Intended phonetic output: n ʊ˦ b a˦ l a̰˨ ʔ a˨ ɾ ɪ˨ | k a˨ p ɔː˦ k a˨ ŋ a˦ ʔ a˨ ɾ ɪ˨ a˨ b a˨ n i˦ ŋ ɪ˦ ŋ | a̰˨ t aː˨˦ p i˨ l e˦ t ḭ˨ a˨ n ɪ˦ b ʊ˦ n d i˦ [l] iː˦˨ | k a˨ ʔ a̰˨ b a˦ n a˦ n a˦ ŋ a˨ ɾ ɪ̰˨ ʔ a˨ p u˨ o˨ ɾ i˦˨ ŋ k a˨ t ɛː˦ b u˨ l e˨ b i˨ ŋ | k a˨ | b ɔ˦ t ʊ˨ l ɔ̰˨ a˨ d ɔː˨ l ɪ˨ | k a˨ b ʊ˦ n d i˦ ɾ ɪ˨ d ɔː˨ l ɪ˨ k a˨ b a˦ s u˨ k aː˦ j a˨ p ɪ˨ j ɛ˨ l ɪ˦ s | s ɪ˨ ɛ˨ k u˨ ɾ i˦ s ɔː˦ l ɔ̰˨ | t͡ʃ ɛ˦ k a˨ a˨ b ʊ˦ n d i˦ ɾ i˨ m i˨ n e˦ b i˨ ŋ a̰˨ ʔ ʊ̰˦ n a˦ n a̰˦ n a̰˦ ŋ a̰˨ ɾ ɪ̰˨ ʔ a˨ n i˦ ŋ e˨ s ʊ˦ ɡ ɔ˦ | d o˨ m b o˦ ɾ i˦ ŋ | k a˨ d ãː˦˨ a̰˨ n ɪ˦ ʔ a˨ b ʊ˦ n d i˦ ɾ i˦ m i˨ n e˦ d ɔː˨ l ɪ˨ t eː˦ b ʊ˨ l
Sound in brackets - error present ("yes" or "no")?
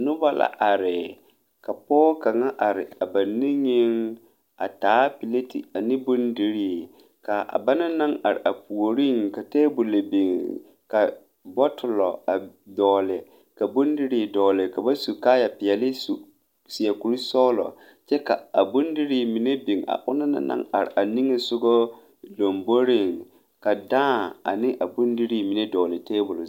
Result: yes